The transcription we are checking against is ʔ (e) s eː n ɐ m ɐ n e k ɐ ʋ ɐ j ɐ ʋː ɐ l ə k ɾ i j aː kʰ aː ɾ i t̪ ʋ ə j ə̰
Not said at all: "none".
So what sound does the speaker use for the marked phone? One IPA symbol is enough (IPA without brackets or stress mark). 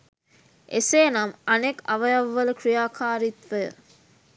e